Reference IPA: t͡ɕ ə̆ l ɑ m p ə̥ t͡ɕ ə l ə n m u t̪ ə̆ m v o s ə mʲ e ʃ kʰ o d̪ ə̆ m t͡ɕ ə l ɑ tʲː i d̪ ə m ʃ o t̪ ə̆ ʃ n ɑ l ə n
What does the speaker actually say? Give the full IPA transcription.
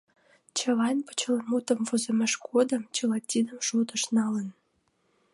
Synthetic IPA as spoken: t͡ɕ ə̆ l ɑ n p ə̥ t͡ɕ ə l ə n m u t̪ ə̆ m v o z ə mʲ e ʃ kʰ o d̪ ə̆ m t͡ɕ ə l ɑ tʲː i d̪ ə m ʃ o t̪ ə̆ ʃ n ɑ l ə n